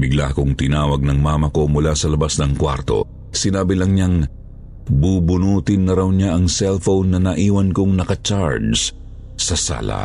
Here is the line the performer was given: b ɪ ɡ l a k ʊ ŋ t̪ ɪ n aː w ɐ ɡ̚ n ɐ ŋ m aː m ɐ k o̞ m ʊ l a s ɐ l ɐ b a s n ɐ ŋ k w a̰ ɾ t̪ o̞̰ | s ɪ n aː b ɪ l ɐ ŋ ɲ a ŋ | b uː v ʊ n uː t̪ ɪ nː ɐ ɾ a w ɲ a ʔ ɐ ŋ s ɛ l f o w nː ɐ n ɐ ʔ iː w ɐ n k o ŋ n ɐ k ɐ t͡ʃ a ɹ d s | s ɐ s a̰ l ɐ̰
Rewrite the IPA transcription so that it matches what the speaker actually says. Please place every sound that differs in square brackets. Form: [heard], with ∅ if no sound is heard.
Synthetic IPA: b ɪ ɡ l a k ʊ ŋ t̪ ɪ n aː w ɐ ɡ̚ n ɐ ŋ m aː m ɐ k o̞ m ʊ l a s ɐ l ɐ b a s n ɐ ŋ k w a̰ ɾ t̪ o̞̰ | s ɪ n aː b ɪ l ɐ ŋ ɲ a ŋ | b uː [b] ʊ n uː t̪ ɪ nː ɐ ɾ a w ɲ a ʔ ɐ ŋ s ɛ l f o w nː ɐ n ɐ ʔ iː w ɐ n k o ŋ n ɐ k ɐ t͡ʃ a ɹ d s | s ɐ s a̰ l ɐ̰